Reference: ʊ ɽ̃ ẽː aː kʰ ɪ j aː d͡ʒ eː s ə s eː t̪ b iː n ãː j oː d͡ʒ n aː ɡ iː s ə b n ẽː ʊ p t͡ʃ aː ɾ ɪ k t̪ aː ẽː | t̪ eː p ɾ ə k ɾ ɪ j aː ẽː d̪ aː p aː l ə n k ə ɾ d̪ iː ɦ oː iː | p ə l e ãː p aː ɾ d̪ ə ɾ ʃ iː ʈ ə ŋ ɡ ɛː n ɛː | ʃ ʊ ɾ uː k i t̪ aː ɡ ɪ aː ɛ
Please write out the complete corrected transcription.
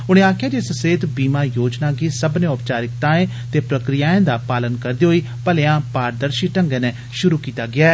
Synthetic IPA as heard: ʊ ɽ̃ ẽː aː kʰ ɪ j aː d͡ʒ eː s ə s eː t̪ b iː m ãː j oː d͡ʒ n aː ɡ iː s ə b n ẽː ʊ p t͡ʃ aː ɾ ɪ k t̪ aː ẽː | t̪ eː p ɾ ə k ɾ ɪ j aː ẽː d̪ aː p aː l ə n k ə ɾ d̪ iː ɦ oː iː | p ə l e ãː p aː ɾ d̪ ə ɾ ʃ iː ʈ ə ŋ ɡ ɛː n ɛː | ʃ ʊ ɾ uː k iː t̪ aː ɡ ɪ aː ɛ